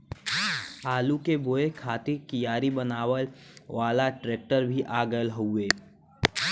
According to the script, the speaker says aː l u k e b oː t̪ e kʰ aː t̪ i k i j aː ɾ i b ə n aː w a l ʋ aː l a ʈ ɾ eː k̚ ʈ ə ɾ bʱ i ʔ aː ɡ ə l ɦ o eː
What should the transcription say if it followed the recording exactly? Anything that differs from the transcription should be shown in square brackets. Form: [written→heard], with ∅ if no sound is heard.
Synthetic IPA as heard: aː l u k e b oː [t̪→∅] e kʰ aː t̪ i k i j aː ɾ i b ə n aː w [a→ə] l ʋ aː l a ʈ ɾ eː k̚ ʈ ə ɾ bʱ i ʔ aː ɡ ə l ɦ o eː